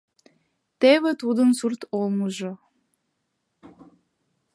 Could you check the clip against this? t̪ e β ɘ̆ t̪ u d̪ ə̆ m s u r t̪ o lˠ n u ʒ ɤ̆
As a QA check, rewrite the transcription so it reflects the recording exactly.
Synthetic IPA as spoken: t̪ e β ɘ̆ t̪ u d̪ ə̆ n s u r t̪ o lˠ m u ʒ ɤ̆